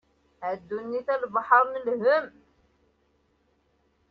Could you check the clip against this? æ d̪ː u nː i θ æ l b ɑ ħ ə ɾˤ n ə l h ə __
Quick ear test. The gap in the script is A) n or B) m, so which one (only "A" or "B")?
B